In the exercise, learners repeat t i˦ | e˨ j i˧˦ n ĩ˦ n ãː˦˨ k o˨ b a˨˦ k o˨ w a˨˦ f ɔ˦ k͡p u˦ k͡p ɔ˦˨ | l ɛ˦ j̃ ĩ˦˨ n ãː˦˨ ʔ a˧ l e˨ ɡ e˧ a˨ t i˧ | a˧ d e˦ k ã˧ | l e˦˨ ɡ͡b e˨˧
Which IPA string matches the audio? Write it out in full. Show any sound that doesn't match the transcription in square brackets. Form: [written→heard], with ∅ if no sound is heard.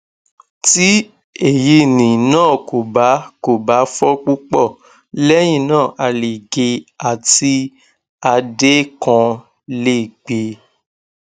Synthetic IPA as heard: t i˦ | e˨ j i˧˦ n [ĩ˦→ĩ˨] n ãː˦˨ k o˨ b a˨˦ k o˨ [w→b] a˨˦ f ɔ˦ k͡p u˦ k͡p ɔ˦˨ | l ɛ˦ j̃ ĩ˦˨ n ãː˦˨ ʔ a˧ l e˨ ɡ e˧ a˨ t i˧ | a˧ d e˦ k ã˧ | l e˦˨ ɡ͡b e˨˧